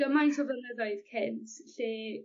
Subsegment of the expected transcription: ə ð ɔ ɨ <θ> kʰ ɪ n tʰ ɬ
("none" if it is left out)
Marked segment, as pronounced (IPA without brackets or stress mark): ð